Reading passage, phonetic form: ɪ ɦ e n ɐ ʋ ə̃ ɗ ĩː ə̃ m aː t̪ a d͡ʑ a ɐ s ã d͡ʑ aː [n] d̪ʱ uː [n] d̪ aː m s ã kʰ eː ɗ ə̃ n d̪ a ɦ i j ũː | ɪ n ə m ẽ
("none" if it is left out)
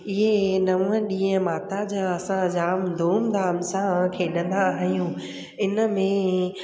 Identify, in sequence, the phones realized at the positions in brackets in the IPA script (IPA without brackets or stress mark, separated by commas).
m, m